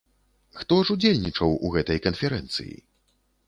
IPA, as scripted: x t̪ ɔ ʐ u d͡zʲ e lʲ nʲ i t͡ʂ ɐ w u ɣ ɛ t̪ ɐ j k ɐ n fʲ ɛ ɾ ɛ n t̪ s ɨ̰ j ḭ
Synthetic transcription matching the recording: x t̪ ɔ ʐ u d͡zʲ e lʲ nʲ i t͡ʂ ɐ w u ɣ ɛ t̪ ɐ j k ɐ n fʲ ɛ ɾ ɛ n t̪ s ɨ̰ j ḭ